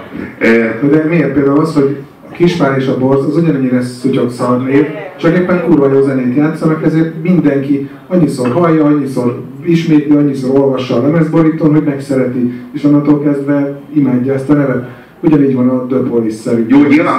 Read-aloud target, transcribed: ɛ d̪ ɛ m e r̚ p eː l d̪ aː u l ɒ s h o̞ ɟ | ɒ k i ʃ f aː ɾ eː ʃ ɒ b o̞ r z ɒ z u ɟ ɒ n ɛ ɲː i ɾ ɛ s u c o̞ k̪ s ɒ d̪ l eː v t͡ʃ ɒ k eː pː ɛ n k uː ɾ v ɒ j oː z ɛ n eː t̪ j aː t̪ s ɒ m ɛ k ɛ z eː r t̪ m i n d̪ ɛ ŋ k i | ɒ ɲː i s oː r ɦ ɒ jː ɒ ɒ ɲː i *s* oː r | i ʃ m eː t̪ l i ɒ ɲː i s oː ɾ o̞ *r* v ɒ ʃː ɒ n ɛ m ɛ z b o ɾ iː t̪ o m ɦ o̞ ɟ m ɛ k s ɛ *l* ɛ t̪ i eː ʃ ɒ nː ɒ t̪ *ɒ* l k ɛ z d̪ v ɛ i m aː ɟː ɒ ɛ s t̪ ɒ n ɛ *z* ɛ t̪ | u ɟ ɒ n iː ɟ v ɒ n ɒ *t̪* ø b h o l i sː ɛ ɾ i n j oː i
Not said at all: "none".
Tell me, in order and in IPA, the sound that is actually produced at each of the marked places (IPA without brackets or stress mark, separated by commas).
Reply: s, l, ɾ, o, v, d̪